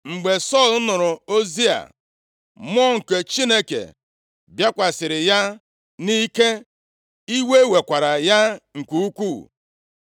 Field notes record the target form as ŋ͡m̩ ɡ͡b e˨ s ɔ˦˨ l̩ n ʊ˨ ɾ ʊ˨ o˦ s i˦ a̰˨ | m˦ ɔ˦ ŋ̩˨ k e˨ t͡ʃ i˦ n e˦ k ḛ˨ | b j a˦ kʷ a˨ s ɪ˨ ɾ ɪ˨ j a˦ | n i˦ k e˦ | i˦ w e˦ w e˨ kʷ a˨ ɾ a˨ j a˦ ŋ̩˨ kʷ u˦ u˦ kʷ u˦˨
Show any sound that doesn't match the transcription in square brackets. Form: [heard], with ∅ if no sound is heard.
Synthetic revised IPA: ŋ͡m̩ ɡ͡b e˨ s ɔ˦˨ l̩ n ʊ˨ ɾ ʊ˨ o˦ [z] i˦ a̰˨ | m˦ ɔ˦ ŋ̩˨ k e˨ t͡ʃ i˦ n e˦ k ḛ˨ | b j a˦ kʷ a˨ s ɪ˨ ɾ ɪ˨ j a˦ | n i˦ k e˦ | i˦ w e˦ w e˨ kʷ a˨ ɾ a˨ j a˦ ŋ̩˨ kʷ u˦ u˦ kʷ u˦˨

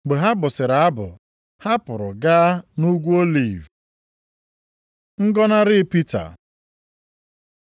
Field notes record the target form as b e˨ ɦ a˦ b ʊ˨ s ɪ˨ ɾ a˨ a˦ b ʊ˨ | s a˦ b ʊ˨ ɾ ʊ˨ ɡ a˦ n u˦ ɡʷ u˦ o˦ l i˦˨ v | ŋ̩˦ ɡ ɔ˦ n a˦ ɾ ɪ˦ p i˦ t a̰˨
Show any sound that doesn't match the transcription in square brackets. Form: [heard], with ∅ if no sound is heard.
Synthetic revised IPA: [ɡ͡b] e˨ ɦ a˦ b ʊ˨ s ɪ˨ ɾ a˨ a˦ b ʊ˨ | [h] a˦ [p] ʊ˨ ɾ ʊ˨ ɡ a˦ n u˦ ɡʷ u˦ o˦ l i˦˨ v | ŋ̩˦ ɡ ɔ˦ n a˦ ɾ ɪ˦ p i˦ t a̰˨

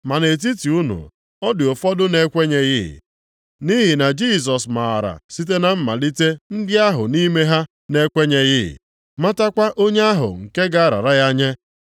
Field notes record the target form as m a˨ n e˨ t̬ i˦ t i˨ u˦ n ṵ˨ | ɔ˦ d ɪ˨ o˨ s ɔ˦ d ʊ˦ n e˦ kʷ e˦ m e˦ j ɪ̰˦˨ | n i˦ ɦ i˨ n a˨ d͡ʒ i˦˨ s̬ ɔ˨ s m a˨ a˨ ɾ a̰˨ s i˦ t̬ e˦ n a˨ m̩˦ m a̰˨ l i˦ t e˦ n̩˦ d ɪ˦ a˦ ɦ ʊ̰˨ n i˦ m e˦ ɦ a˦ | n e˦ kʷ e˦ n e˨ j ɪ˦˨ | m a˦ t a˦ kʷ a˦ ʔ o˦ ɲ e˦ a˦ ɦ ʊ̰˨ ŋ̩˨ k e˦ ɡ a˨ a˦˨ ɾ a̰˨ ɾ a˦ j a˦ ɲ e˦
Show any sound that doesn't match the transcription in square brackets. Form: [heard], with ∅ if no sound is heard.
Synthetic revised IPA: m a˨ n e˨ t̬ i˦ t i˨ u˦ n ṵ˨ | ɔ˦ d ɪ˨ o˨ [f] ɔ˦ d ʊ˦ n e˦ kʷ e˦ [ɲ] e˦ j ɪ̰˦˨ | n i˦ ɦ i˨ n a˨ d͡ʒ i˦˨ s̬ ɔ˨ s m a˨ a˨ ɾ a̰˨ s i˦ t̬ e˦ n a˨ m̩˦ m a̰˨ l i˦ t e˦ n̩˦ d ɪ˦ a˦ ɦ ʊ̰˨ n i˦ m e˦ ɦ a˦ | n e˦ kʷ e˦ [ɲ] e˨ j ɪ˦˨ | m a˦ t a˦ kʷ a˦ ʔ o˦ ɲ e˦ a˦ ɦ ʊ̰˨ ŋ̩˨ k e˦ ɡ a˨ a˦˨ ɾ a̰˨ ɾ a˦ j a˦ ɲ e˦

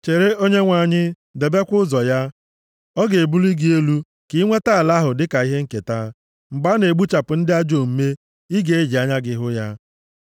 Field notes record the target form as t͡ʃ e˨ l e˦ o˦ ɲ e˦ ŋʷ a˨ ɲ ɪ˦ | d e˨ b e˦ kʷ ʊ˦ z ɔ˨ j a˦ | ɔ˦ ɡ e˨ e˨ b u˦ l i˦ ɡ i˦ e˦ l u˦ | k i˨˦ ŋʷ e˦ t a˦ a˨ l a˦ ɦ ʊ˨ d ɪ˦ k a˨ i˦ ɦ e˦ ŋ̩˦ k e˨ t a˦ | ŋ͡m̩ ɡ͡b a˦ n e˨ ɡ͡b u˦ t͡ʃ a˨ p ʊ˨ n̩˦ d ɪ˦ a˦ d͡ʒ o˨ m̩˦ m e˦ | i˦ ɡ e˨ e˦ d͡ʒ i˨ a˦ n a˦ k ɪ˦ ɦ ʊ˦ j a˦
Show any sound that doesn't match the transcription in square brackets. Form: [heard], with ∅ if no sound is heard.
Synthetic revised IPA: t͡ʃ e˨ [ɾ] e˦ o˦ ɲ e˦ ŋʷ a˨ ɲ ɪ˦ | d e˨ b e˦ kʷ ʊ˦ z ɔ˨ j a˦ | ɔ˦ ɡ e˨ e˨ b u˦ l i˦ ɡ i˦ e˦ l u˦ | k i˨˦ ŋʷ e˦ t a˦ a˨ l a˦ ɦ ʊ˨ d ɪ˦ k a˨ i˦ ɦ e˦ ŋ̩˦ k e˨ t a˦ | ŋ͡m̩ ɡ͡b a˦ n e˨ ɡ͡b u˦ t͡ʃ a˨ p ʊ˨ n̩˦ d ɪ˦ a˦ d͡ʒ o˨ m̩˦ m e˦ | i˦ ɡ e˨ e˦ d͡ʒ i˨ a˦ [ɲ] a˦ [ɡ] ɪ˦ ɦ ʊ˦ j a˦

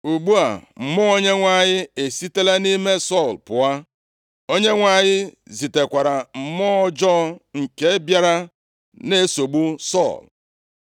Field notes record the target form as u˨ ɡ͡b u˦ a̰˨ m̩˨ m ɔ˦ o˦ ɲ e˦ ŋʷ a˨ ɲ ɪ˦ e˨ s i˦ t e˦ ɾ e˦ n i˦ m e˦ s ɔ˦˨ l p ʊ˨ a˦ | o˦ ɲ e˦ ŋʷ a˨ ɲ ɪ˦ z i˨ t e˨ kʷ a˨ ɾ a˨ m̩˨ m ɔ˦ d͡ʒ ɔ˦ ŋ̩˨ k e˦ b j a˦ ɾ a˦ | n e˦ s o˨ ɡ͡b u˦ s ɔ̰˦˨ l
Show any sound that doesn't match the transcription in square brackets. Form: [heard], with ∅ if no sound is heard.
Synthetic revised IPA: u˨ ɡ͡b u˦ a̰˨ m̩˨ m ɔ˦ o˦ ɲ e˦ ŋʷ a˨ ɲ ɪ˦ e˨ s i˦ t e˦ [l] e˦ n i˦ m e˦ s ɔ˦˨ l p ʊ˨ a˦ | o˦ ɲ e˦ ŋʷ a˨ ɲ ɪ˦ z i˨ t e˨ kʷ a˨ ɾ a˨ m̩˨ m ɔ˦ d͡ʒ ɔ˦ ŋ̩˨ k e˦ b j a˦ ɾ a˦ | n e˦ s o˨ ɡ͡b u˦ s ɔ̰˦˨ l

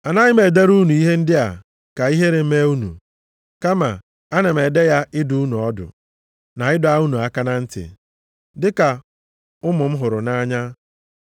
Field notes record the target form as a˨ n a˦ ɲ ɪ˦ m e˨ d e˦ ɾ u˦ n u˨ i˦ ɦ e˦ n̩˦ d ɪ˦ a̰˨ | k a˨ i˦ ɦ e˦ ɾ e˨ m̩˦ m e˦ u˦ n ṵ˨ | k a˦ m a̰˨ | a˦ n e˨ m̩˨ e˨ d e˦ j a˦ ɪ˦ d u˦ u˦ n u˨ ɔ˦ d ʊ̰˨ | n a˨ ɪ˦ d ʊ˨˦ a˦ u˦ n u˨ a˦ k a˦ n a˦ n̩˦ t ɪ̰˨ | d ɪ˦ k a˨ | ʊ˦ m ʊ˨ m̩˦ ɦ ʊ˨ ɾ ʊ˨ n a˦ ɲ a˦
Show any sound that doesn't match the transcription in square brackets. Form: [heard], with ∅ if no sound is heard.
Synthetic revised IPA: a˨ n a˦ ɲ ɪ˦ m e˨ d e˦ ɾ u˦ n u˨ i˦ ɦ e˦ n̩˦ d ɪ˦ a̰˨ | k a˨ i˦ ɦ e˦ ɾ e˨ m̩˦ m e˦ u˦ n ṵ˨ | k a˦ m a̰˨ | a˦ n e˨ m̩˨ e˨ d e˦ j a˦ ɪ˦ d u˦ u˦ n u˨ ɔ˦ d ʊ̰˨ | n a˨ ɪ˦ d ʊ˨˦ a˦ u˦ n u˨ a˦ k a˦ n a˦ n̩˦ t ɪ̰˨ | d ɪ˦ k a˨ | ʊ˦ m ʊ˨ m̩˦ ɦ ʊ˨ ɾ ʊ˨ n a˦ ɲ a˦

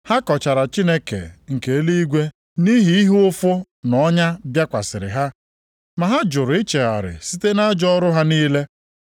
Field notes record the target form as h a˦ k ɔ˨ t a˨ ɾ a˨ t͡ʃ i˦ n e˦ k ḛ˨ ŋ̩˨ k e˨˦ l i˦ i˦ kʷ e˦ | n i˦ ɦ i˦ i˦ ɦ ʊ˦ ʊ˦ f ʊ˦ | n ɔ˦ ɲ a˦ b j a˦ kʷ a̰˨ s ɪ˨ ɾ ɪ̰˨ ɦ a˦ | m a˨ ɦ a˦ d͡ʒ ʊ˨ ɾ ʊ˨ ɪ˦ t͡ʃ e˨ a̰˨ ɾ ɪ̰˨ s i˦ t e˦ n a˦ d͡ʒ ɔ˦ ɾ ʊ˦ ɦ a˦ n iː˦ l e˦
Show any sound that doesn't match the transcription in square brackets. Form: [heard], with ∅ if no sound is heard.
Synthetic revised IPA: h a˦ k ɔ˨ [t͡ʃ] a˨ ɾ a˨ t͡ʃ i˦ n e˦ k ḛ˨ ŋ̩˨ k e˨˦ l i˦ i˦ [ɡʷ] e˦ | n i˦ ɦ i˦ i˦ ɦ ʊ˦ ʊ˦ f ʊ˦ | n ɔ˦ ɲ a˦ b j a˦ kʷ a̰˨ s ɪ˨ ɾ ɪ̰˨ ɦ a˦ | m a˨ ɦ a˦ d͡ʒ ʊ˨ ɾ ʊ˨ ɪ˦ t͡ʃ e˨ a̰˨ ɾ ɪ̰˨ s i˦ t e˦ n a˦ d͡ʒ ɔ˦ ɾ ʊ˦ ɦ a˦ n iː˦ l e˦

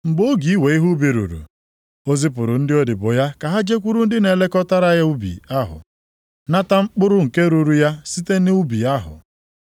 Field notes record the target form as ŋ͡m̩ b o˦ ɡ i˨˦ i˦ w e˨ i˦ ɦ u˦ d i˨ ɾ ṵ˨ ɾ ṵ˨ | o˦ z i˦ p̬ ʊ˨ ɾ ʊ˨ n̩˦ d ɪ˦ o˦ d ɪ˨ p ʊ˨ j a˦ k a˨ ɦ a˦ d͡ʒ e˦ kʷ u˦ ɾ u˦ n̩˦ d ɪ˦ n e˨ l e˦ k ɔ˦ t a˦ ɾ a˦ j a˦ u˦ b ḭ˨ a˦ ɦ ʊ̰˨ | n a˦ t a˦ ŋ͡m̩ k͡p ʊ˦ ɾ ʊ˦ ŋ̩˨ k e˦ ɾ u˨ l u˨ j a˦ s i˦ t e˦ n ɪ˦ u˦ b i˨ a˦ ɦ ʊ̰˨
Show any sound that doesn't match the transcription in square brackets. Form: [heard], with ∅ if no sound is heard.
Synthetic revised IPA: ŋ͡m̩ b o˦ ɡ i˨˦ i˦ w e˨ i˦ ɦ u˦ [b] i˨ ɾ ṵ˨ ɾ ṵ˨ | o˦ z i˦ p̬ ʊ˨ ɾ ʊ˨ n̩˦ d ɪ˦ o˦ d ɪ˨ [b] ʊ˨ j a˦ k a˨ ɦ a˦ d͡ʒ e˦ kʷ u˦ ɾ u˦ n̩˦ d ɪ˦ n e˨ l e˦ k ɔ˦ t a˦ ɾ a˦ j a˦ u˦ b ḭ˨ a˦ ɦ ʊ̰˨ | n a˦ t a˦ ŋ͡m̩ k͡p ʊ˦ ɾ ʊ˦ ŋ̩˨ k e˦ ɾ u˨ [ɾ] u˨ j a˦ s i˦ t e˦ n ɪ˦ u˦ b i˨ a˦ ɦ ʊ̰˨

